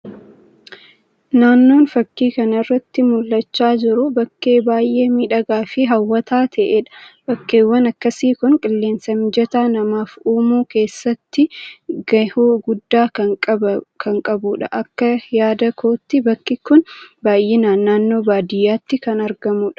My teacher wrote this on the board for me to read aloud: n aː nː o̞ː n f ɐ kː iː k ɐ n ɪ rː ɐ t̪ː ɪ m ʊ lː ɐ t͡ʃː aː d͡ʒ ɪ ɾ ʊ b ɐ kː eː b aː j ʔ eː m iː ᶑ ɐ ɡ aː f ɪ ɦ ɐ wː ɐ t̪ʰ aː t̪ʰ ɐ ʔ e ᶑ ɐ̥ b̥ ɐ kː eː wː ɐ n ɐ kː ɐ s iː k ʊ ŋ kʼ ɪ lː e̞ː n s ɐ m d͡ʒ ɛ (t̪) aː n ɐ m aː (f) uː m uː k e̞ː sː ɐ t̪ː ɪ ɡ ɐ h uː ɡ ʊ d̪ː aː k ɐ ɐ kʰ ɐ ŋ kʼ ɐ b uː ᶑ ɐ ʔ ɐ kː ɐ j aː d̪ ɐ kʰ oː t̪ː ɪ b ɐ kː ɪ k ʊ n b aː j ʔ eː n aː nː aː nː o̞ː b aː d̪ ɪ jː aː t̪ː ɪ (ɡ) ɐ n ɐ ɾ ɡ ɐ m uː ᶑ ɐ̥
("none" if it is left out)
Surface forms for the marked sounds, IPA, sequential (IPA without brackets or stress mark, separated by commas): t̪, f, k